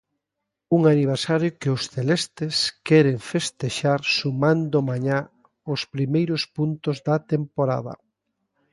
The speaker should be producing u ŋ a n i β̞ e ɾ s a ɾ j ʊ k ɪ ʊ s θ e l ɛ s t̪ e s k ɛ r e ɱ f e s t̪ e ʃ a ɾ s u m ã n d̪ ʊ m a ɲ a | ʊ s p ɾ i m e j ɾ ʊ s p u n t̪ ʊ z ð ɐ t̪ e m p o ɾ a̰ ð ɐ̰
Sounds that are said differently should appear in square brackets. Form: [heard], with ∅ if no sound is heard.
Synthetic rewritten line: u ŋ a n i β̞ e ɾ s a ɾ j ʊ k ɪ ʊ s θ e l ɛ s t̪ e s k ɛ [ɾ] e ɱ f e s t̪ e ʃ a ɾ s u m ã n d̪ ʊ m a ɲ a | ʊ s p ɾ i m e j ɾ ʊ s p u n t̪ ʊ z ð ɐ t̪ e m p o ɾ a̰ ð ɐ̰